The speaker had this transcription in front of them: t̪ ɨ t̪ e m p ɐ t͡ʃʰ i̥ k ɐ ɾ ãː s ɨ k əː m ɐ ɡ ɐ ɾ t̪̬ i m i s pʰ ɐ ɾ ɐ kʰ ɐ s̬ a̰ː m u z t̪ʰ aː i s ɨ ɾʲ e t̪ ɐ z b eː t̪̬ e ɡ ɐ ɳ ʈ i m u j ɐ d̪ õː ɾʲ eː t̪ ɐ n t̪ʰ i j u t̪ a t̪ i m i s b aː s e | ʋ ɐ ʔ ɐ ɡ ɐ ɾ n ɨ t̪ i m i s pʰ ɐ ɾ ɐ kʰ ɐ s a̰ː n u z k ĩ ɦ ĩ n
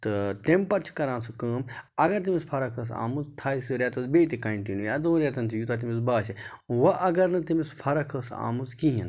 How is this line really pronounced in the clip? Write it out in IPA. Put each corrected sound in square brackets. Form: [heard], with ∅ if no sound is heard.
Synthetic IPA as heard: t̪ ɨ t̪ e m p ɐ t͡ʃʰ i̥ k ɐ ɾ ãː s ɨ k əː m ɐ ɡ ɐ ɾ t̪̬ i m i s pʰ ɐ ɾ ɐ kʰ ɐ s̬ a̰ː m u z t̪ʰ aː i s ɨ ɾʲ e t̪ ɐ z b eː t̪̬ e [k] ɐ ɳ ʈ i [n] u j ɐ d̪ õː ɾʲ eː t̪ ɐ n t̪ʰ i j u t̪ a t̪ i m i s b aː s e | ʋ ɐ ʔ ɐ ɡ ɐ ɾ n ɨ t̪ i m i s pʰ ɐ ɾ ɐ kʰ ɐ s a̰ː [m] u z k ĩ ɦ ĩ n